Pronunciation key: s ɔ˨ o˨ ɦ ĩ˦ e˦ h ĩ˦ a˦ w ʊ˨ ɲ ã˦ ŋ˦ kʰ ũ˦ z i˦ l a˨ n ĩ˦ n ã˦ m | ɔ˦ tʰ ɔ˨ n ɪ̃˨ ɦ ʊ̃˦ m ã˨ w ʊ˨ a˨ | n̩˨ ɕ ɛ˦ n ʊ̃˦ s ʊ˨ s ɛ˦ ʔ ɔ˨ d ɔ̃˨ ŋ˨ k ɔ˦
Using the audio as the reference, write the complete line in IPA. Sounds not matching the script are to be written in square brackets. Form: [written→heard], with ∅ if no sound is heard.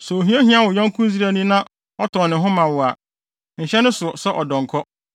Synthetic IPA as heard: s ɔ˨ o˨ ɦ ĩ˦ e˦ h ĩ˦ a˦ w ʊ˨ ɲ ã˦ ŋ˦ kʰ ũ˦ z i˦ [l→ɾ] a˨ n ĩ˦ n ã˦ [m→∅] | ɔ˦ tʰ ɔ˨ n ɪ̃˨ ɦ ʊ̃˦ m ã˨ w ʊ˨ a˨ | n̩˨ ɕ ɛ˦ n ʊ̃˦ s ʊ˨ s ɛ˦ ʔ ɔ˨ d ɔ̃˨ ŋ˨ [k→kʰ] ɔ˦